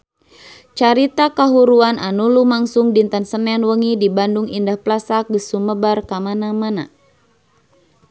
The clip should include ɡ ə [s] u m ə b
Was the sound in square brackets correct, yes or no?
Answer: yes